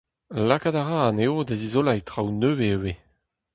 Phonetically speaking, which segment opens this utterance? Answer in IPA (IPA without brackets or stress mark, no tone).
l